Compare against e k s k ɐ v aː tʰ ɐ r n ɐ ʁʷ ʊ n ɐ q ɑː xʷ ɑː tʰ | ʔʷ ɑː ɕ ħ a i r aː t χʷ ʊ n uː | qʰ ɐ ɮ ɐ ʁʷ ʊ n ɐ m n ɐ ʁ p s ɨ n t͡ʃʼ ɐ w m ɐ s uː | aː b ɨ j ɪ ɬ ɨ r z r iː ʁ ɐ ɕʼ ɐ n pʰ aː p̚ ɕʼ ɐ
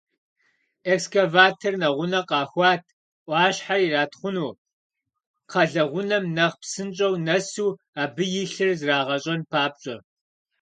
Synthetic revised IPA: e k s k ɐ v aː tʰ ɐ r n ɐ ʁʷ ʊ n ɐ q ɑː xʷ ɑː tʰ | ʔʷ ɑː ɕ ħ a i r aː t χʷ ʊ n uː | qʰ ɐ ɮ ɐ ʁʷ ʊ n ɐ m n ɐ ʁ p s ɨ n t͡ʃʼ ɐ w n ɐ s uː | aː b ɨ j ɪ ɬ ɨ r z r aː ʁ ɐ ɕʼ ɐ n pʰ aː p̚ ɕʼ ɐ